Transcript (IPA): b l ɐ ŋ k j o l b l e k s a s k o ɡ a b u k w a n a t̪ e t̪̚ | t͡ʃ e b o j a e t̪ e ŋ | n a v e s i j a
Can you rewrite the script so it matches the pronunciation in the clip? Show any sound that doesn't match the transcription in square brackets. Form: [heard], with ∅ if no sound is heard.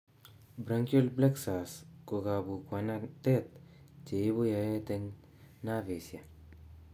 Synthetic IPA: b [ɾ] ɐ ŋ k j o l b l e k s a s k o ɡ a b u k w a n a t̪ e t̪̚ | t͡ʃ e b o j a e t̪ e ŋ | n a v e s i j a